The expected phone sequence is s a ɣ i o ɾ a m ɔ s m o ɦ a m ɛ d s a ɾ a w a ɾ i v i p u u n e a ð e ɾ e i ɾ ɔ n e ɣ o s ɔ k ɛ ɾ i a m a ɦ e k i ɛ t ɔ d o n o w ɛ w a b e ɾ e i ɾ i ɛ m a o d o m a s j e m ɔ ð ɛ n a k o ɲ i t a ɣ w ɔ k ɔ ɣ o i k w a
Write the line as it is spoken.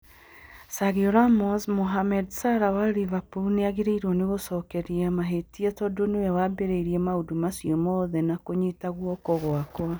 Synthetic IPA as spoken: s a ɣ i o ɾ a m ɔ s m o ɦ a m ɛ d s a ɾ a w a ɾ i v a p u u n e a ɣ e ɾ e i ɾ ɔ n e ɣ o s ɔ k ɛ ɾ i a m a ɦ e t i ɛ t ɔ d o n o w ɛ w a b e ɾ e i ɾ i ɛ m a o d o m a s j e m ɔ ð ɛ n a k o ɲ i t a ɣ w ɔ k ɔ ɣ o a k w a